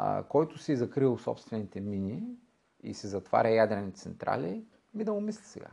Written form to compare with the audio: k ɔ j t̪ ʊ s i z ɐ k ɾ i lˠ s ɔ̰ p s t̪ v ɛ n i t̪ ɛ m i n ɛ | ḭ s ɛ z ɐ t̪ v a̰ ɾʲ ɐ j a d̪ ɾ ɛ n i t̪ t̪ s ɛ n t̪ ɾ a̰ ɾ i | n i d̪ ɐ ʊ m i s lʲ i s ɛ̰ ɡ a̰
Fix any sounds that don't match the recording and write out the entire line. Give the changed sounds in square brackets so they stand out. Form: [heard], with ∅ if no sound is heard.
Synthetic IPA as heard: k ɔ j t̪ ʊ s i z ɐ k ɾ i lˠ s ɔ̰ p s t̪ v ɛ n i t̪ ɛ m i n [i] | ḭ s ɛ z ɐ t̪ v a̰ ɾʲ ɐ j a d̪ ɾ ɛ n i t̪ t̪ s ɛ n t̪ ɾ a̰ [l] i | [m] i d̪ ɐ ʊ m i s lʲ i s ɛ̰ ɡ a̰